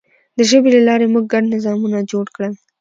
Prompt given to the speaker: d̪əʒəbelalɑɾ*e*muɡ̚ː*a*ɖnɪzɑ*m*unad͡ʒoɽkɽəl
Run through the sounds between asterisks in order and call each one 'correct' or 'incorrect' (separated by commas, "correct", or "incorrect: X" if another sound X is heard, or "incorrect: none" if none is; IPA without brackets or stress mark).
correct, correct, correct